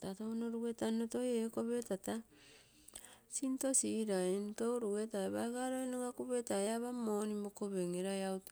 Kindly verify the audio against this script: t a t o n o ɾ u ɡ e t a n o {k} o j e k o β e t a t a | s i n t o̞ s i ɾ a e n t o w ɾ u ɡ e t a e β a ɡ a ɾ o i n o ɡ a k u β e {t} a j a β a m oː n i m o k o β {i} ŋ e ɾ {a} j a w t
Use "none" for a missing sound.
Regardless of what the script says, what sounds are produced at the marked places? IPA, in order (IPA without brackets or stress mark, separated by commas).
t, t, e, a